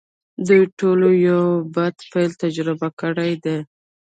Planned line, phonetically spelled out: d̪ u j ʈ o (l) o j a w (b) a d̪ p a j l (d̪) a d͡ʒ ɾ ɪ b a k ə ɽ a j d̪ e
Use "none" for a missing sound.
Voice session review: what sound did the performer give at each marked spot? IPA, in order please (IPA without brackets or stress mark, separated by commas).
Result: l, b, t̪